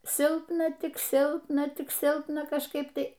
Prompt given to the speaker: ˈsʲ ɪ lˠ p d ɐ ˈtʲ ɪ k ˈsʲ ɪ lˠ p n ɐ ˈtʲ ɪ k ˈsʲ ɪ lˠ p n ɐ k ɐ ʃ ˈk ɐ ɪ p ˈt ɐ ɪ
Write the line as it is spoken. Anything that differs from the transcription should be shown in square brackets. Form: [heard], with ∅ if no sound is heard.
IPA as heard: ˈsʲ ɪ lˠ p [n] ɐ ˈtʲ ɪ k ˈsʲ ɪ lˠ p n ɐ ˈtʲ ɪ k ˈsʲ ɪ lˠ p n ɐ k ɐ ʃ ˈk ɐ ɪ p ˈt ɐ ɪ

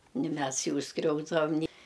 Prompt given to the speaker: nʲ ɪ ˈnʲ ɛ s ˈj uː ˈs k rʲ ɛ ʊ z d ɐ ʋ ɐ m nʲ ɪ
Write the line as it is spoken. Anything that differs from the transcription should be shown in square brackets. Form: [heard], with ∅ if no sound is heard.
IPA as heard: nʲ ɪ [ˈmʲ] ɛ s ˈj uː ˈs k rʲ ɛ ʊ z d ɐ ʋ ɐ m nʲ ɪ

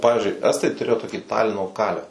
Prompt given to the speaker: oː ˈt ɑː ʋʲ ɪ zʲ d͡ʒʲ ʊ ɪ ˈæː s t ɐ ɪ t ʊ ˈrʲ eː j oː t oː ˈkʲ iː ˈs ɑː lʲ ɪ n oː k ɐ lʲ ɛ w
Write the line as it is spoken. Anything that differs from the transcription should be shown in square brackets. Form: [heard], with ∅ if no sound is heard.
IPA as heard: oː [ˈp] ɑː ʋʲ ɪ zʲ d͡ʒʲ ʊ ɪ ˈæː s t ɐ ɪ t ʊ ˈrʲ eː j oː t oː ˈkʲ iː [ˈt] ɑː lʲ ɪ n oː k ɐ lʲ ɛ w

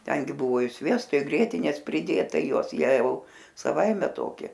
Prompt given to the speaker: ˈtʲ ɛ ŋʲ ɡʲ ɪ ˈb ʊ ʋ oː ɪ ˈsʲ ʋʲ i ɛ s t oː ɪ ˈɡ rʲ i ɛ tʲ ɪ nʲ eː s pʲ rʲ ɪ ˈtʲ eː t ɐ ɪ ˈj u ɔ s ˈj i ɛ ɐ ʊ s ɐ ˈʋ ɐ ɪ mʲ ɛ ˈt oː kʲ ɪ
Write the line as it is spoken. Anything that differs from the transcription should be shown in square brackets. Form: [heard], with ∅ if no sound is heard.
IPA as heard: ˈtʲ ɛ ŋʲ ɡʲ ɪ ˈb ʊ ʋ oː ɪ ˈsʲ ʋʲ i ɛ s t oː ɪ ˈɡ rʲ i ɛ tʲ ɪ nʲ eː s pʲ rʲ ɪ [ˈdʲ] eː t ɐ ɪ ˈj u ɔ s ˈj i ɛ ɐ ʊ s ɐ ˈʋ ɐ ɪ mʲ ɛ ˈt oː kʲ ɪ

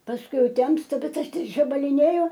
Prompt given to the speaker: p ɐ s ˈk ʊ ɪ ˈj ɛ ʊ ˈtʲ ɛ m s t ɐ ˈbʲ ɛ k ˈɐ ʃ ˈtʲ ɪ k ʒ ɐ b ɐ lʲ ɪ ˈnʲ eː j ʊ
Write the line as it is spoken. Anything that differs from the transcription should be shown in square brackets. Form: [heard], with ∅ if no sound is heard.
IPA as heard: p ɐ s ˈk ʊ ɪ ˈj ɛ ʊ ˈtʲ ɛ m s t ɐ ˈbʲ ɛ [t] ˈɐ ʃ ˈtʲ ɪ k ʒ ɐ b ɐ lʲ ɪ ˈnʲ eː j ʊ

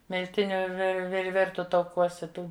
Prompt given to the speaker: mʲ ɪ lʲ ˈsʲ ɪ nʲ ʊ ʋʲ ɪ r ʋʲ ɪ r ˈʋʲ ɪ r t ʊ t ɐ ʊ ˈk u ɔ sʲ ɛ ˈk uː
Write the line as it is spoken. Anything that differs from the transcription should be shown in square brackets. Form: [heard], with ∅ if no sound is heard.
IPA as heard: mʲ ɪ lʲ [ˈtʲ] ɪ nʲ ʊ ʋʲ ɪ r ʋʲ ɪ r ˈʋʲ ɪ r t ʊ t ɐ ʊ ˈk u ɔ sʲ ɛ [ˈt] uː

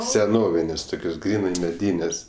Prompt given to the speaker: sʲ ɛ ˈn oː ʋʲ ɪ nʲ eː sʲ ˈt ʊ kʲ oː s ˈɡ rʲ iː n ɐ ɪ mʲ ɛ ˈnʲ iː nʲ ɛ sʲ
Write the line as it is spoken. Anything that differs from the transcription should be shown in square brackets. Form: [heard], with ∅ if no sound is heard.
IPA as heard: sʲ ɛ ˈn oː ʋʲ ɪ nʲ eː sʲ ˈt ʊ kʲ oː s ˈɡ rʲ iː n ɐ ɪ mʲ ɛ [ˈdʲ] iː nʲ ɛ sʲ

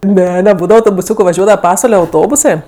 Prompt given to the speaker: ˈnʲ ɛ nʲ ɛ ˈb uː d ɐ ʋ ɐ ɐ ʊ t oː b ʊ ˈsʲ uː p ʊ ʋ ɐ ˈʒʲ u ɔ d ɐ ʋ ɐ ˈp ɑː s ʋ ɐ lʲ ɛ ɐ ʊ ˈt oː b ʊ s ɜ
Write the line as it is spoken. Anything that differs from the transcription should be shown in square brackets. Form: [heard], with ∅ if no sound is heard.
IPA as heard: ˈnʲ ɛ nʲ ɛ ˈb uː d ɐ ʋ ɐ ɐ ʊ t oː b ʊ ˈsʲ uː [k] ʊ ʋ ɐ ˈʒʲ u ɔ d ɐ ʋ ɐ ˈp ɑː s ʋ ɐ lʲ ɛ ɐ ʊ ˈt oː b ʊ s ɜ

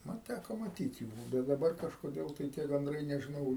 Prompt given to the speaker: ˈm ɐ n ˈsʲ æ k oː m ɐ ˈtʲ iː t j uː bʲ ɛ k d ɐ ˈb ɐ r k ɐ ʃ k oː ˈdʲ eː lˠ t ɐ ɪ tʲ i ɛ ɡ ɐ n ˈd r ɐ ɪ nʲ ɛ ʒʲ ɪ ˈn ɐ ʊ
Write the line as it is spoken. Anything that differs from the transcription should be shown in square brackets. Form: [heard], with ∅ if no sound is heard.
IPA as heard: ˈm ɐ n [ˈtʲ] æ k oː m ɐ ˈtʲ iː t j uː bʲ ɛ [t] d ɐ ˈb ɐ r k ɐ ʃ k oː ˈdʲ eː lˠ t ɐ ɪ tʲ i ɛ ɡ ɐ n ˈd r ɐ ɪ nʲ ɛ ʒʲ ɪ ˈn ɐ ʊ

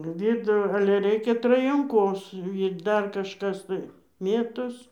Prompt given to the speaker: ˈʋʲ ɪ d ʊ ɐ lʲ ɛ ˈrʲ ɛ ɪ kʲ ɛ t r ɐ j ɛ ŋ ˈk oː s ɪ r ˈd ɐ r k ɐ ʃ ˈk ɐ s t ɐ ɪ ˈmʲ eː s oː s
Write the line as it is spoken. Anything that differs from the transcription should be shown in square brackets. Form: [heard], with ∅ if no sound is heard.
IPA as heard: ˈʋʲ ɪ d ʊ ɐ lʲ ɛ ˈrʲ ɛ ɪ kʲ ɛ t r ɐ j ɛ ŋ ˈk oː s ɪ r ˈd ɐ r k ɐ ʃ ˈk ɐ s t ɐ ɪ ˈmʲ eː [t] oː s

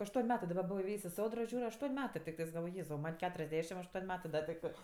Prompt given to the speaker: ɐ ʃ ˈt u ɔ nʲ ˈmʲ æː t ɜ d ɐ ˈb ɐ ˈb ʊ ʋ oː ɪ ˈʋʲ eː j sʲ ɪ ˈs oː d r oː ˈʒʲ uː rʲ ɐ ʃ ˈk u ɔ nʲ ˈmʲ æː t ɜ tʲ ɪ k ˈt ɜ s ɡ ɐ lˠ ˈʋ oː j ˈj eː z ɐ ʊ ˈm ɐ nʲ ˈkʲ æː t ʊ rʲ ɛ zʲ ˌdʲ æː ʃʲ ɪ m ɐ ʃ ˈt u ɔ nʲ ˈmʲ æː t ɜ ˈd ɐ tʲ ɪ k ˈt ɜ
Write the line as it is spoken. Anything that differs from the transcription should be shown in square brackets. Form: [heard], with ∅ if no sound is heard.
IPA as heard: ɐ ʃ ˈt u ɔ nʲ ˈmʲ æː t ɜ d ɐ ˈb ɐ ˈb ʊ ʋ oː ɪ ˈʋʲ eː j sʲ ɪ ˈs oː d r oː ˈʒʲ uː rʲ ɐ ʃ [ˈt] u ɔ nʲ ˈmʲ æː t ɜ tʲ ɪ k ˈt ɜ s ɡ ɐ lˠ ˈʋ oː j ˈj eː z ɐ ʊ ˈm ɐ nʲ ˈkʲ æː t ʊ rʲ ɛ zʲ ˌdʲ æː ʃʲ ɪ m ɐ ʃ ˈt u ɔ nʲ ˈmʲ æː t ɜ ˈd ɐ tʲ ɪ k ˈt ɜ

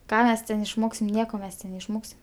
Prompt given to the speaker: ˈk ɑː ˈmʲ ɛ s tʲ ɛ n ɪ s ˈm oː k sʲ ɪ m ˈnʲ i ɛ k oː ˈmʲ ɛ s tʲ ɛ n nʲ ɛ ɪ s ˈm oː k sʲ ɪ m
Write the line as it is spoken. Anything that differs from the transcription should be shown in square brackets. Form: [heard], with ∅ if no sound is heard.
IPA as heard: ˈk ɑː ˈmʲ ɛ s tʲ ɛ n ɪ [ʃ] ˈm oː k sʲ ɪ m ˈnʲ i ɛ k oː ˈmʲ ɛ s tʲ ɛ n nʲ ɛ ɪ [ʃ] ˈm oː k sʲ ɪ m

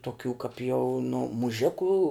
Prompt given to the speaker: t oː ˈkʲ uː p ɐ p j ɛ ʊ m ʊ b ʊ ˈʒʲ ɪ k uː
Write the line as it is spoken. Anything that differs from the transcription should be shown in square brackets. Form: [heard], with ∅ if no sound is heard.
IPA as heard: t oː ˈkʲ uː [k] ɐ p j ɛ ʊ [n] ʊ [m] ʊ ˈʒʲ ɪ k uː

